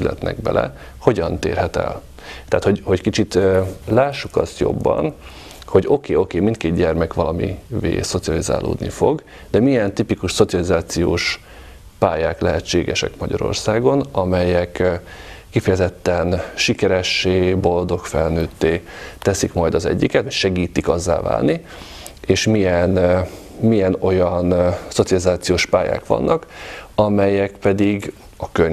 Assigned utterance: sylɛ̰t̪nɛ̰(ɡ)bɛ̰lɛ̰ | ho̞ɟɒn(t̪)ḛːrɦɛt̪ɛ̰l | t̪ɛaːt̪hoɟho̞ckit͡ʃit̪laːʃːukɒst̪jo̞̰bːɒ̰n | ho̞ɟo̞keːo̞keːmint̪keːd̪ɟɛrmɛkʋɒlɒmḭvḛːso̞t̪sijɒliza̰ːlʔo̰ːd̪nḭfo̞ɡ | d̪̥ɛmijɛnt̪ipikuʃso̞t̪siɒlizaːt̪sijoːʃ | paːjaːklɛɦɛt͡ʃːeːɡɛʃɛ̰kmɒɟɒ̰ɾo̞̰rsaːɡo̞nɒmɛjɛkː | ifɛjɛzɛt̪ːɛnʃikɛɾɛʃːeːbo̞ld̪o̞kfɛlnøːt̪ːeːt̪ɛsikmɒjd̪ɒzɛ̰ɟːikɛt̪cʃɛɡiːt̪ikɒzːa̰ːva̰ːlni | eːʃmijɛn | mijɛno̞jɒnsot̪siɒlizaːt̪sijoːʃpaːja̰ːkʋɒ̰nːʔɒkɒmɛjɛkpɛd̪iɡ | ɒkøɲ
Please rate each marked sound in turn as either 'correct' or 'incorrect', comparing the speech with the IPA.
correct, correct

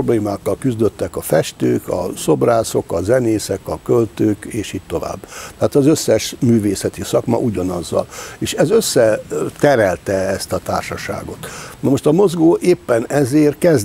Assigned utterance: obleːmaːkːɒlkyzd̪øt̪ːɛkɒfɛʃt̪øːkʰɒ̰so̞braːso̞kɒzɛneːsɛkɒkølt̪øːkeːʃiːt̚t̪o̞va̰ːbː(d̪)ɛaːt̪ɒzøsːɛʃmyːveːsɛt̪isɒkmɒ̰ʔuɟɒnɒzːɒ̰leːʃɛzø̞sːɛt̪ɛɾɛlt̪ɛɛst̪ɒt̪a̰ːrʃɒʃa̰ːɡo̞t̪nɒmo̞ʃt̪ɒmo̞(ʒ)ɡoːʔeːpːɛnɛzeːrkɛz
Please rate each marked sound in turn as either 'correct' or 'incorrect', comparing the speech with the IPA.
incorrect: t̪, incorrect: z

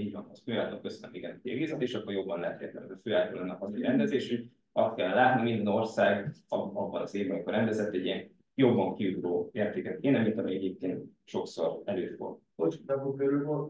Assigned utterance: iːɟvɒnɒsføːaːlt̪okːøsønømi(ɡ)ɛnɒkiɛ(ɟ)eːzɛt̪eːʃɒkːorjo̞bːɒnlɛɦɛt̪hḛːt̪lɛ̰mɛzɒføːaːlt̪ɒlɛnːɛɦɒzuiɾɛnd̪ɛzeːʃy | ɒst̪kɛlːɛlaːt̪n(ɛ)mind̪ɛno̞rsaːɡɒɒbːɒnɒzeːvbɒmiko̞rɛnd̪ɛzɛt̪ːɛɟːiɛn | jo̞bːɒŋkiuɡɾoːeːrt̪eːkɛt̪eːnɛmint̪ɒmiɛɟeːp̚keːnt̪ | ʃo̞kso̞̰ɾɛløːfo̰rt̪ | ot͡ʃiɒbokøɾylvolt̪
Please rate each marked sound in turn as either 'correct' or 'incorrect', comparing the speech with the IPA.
correct, incorrect: ɡ, incorrect: i

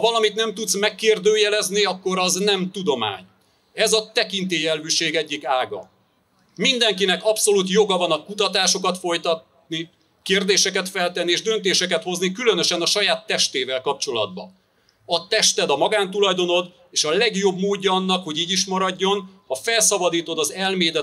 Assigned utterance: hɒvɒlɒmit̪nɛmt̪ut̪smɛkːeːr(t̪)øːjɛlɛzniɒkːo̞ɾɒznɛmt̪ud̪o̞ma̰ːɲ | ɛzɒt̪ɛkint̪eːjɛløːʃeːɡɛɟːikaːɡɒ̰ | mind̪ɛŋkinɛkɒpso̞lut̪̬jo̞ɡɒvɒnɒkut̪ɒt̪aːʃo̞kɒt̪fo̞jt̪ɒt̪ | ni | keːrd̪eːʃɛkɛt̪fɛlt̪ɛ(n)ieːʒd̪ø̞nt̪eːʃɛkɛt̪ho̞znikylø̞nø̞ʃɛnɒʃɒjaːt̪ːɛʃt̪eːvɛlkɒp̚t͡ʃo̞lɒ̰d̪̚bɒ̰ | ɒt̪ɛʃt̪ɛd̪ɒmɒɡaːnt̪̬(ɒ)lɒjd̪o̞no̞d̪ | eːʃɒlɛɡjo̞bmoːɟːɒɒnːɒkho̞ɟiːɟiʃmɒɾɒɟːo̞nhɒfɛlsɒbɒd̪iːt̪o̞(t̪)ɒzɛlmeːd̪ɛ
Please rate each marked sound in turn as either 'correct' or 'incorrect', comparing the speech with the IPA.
incorrect: d̪, incorrect: nː, incorrect: u, incorrect: d̪

